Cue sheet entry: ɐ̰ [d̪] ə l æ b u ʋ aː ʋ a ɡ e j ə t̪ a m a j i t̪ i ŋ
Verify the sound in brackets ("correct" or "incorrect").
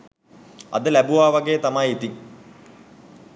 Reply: correct